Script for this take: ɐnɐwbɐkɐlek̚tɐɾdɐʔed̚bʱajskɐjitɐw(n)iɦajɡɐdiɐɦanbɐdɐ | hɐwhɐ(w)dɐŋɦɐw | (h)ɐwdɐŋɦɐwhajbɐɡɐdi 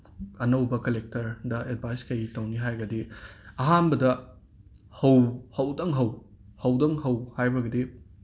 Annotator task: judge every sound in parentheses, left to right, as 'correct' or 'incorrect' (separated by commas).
correct, correct, correct